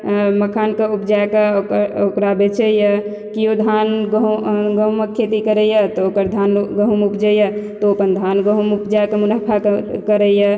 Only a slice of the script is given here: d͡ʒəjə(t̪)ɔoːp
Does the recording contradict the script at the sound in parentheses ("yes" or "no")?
no